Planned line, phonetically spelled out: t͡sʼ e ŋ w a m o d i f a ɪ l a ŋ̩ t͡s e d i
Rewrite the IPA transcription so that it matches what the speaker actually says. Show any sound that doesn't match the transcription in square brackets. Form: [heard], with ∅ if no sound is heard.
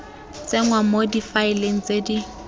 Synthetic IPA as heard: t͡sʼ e ŋ w a m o d i f a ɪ l [e] ŋ̩ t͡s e d i